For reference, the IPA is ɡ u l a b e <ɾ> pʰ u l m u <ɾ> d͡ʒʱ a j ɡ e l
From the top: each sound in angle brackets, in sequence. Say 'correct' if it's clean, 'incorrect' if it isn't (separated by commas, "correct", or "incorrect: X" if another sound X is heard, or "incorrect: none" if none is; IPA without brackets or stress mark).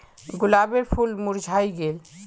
correct, correct